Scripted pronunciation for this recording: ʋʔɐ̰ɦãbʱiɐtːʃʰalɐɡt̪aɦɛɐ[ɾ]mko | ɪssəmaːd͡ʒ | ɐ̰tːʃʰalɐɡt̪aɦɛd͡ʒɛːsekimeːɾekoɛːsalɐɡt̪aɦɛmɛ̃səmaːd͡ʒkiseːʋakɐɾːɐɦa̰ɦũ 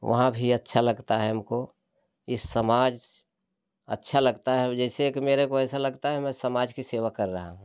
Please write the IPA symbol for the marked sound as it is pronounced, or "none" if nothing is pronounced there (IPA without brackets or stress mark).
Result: none